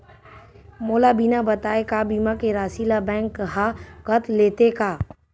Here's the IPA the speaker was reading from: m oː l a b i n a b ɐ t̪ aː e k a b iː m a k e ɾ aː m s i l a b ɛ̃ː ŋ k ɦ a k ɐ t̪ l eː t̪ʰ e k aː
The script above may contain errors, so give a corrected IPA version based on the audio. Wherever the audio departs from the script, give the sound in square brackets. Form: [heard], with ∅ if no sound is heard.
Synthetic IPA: m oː l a b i n a b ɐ t̪ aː e k a b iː m a k e ɾ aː [∅] s i l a b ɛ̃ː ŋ k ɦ a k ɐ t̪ l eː [t̪] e k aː